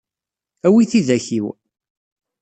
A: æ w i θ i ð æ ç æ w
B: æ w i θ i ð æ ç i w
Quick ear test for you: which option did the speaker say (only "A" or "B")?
B